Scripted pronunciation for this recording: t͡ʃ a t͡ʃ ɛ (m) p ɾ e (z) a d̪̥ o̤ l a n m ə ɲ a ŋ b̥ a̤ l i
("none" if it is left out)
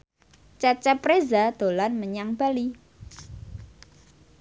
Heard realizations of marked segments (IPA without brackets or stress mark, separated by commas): none, z